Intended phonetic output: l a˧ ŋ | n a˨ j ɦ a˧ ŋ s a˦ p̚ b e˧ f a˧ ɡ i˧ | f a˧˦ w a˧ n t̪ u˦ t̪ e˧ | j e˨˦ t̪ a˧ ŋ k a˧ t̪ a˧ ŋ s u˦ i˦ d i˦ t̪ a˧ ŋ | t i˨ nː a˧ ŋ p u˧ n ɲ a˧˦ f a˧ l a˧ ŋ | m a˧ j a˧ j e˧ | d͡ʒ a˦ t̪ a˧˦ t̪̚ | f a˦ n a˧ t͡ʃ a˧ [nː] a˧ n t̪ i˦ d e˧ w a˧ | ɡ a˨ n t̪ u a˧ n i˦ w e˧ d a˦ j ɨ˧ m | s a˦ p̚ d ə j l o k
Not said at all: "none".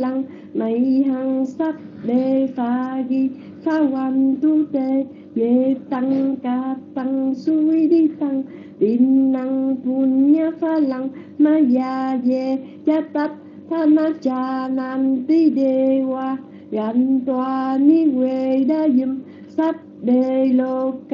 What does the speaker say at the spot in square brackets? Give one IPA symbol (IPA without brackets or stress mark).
n